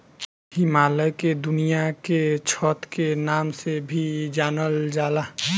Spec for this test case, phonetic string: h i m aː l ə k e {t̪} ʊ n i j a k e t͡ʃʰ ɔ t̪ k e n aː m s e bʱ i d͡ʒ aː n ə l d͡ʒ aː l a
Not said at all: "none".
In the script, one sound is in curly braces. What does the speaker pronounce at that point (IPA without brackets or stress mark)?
d̪